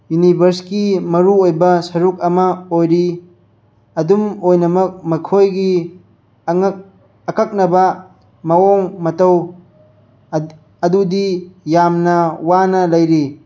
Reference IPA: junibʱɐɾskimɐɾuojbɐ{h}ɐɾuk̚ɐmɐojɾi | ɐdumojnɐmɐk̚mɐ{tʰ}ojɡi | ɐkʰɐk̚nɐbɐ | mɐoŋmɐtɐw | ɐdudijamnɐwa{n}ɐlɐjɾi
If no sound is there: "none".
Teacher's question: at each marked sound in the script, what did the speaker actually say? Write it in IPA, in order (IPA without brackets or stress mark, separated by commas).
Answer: s, kʰ, n